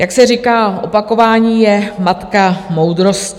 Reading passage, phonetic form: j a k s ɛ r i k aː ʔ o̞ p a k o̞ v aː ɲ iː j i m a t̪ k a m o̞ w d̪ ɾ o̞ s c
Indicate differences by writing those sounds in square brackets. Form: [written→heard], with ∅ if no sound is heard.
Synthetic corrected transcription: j a k s ɛ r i k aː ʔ o̞ p a k o̞ v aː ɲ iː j [i→ɛ] m a t̪ k a m o̞ w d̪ ɾ o̞ s c